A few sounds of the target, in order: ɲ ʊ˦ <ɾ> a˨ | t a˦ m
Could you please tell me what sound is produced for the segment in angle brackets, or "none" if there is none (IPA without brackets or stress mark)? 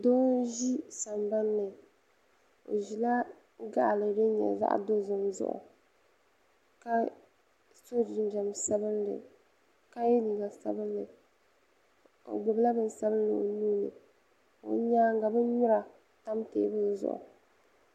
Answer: ɾ